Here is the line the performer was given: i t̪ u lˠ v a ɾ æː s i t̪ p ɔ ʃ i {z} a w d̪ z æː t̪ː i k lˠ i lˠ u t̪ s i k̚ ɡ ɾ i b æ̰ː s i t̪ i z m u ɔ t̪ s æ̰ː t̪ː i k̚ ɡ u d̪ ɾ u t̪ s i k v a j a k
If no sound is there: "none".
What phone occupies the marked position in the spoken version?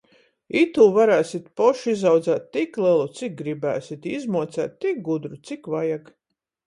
z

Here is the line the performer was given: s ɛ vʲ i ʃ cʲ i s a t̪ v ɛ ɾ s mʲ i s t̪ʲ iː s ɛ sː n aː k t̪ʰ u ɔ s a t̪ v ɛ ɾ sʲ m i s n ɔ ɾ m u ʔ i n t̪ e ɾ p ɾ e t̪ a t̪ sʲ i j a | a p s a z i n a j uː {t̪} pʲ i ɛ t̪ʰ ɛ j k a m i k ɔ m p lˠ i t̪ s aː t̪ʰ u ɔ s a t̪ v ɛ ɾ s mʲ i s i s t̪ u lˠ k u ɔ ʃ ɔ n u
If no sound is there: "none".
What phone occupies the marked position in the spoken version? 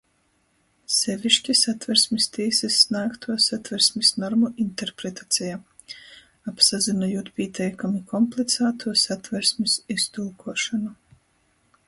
t̪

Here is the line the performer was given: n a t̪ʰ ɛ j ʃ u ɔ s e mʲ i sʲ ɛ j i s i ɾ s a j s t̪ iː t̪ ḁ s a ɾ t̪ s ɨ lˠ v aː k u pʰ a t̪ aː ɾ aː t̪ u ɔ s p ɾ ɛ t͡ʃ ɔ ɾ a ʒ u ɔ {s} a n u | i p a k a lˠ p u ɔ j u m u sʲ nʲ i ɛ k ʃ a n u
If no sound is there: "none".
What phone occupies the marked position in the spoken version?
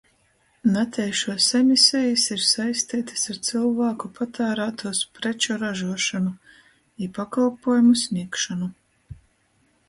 ʃ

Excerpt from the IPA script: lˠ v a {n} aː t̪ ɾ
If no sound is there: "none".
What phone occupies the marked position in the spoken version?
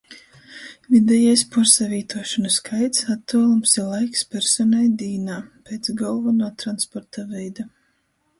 n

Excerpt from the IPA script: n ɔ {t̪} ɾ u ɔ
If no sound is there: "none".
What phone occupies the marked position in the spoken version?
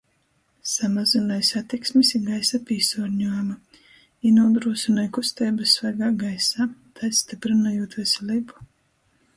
d̪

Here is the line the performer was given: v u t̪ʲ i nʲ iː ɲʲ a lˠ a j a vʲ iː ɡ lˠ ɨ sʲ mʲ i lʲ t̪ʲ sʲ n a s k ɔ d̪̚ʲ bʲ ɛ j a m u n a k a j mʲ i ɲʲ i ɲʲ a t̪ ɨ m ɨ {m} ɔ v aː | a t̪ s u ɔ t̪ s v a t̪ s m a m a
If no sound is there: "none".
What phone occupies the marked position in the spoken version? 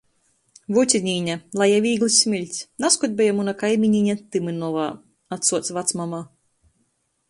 n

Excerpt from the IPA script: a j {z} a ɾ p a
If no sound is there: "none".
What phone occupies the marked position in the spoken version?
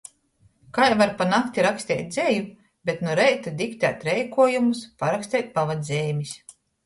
v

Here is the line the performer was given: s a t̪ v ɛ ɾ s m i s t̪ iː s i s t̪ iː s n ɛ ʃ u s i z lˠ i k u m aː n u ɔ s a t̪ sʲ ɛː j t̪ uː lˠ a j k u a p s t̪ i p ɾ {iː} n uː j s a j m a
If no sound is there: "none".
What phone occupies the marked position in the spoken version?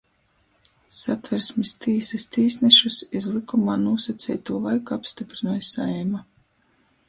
i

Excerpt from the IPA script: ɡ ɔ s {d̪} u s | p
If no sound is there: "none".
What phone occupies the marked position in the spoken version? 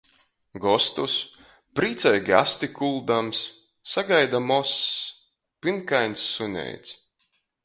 t̪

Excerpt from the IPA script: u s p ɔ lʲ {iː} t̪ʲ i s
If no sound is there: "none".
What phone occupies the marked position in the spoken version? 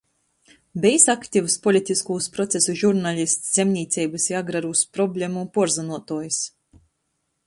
i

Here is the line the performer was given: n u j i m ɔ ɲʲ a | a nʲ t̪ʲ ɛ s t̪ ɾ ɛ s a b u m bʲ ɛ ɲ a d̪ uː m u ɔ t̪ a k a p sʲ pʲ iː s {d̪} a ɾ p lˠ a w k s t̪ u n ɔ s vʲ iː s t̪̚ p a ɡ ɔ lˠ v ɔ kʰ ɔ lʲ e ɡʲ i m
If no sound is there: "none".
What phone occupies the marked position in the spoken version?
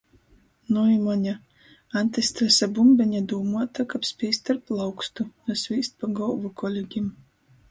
t̪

